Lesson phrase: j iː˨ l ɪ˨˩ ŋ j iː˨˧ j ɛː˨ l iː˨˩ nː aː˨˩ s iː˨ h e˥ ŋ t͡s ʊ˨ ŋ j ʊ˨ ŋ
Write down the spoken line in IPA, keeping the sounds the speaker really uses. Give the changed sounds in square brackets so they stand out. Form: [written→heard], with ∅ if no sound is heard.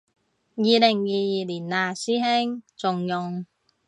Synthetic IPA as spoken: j iː˨ l ɪ˨˩ ŋ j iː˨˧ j [ɛː˨→iː˨] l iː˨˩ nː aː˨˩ s [iː˨→iː˥] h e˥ ŋ t͡s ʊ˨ ŋ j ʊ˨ ŋ